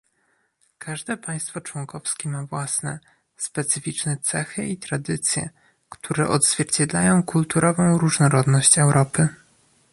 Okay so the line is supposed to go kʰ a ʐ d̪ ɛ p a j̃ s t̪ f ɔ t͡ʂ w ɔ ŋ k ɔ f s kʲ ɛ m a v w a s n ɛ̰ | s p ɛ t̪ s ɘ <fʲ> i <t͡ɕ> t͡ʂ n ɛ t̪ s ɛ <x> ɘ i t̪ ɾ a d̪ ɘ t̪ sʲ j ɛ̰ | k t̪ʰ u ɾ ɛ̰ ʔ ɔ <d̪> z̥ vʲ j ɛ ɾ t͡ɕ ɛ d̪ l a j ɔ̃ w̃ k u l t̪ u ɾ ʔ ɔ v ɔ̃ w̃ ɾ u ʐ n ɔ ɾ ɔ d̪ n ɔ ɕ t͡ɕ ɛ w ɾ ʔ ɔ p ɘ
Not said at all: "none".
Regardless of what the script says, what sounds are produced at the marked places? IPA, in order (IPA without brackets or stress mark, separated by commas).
fʲ, none, x, d̪